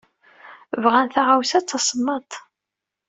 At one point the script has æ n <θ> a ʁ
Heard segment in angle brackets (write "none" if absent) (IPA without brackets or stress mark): θ